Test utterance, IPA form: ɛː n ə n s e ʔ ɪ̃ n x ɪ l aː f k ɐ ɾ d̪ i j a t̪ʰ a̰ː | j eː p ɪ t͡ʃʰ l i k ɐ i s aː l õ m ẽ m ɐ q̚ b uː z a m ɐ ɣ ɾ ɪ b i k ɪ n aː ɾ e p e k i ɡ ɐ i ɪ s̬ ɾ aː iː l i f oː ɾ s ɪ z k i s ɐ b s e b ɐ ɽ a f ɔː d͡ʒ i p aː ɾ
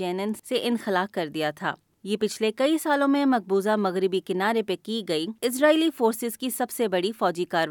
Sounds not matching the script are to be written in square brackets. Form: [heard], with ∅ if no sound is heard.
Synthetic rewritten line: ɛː n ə n s e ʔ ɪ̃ n x ɪ l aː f k ɐ ɾ d̪ i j a t̪ʰ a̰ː | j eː p ɪ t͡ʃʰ l [e] k ɐ i s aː l õ m ẽ m ɐ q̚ b uː z a m ɐ ɣ ɾ ɪ b i k ɪ n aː ɾ e p e k i ɡ ɐ i ɪ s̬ ɾ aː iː l i f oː ɾ s ɪ z k i s ɐ b s e b ɐ ɽ [i] f ɔː d͡ʒ i [k] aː ɾ